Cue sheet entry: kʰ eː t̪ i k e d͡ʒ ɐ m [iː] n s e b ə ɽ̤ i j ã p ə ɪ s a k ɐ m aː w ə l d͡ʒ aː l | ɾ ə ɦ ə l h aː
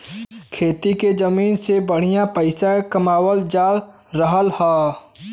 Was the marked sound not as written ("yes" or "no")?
no